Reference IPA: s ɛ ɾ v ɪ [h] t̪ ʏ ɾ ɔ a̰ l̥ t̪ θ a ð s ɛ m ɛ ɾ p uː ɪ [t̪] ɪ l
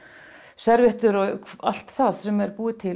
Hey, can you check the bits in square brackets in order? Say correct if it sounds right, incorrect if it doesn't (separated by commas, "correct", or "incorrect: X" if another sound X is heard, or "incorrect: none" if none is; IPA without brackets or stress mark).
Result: correct, incorrect: t̪ʰ